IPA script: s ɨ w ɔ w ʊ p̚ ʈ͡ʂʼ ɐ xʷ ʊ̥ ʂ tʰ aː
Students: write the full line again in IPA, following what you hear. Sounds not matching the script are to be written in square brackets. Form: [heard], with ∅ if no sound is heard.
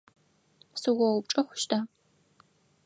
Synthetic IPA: s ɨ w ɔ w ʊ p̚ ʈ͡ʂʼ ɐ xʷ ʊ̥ [ʃ] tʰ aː